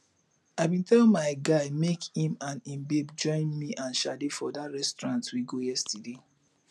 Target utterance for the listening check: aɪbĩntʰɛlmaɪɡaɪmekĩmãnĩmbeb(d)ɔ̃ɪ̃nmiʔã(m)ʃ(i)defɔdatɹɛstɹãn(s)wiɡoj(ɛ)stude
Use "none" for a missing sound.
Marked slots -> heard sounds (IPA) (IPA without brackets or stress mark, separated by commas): d͡ʒ, n, a, t, ɛ